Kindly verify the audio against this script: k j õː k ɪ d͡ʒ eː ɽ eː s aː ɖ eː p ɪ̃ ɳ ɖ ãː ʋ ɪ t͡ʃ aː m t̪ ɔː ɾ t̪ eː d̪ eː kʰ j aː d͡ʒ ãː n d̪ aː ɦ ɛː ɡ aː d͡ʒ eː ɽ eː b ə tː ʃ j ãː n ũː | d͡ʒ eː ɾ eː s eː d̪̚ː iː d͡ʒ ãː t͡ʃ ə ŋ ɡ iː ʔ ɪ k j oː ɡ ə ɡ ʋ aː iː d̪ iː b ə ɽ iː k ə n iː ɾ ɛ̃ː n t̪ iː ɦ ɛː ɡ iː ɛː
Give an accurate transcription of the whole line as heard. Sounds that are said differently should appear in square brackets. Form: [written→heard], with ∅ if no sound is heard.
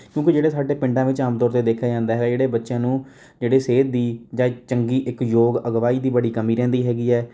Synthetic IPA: k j õː k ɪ d͡ʒ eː ɽ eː s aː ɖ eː p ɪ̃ ɳ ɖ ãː ʋ ɪ t͡ʃ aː m t̪ ɔː ɾ t̪ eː d̪ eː kʰ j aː d͡ʒ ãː n d̪ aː ɦ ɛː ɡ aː d͡ʒ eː ɽ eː b ə tː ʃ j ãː n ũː | d͡ʒ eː [ɾ→ɽ] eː s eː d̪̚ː iː d͡ʒ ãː t͡ʃ ə ŋ ɡ iː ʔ ɪ k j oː ɡ ə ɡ ʋ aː iː d̪ iː b ə ɽ iː k ə [n→m] iː ɾ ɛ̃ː n [t̪→d̪] iː ɦ ɛː ɡ iː ɛː